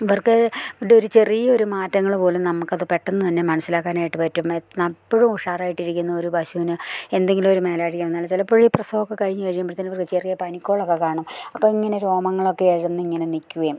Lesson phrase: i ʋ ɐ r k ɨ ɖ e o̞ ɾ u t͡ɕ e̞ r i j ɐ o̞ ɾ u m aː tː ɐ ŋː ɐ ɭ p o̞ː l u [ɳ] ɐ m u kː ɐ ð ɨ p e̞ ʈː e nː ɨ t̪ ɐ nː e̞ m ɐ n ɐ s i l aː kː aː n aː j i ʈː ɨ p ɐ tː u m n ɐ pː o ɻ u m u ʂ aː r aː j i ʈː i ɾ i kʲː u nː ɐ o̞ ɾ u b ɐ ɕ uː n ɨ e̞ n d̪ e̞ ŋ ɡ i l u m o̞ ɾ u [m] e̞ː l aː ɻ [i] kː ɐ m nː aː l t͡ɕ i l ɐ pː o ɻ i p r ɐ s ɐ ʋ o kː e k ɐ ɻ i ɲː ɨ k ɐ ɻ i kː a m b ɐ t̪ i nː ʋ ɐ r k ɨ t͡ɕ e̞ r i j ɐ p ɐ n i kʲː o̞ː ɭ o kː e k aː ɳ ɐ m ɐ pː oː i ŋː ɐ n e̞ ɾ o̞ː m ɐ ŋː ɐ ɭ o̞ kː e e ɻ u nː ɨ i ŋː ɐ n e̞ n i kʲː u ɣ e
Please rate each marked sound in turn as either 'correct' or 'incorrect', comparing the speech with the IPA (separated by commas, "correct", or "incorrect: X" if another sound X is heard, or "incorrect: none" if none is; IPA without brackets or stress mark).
incorrect: n, correct, correct